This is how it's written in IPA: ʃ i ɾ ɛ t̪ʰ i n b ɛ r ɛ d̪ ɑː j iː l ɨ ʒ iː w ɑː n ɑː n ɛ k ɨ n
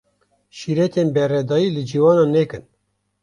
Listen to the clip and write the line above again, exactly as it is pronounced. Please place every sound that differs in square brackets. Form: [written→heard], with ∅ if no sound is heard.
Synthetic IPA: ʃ i ɾ ɛ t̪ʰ [i→e] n b ɛ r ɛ d̪ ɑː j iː l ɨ [ʒ→d͡ʒ] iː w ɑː n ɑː n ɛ k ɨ n